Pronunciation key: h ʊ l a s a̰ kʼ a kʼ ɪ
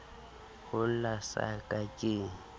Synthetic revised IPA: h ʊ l a s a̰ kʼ a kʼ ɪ